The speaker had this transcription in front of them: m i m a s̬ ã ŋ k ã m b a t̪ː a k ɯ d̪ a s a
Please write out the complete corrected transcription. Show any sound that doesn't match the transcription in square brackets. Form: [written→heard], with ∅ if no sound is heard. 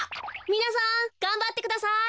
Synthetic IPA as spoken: m i [m→n] a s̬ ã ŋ k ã m b a t̪ː [a→e] k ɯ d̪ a s a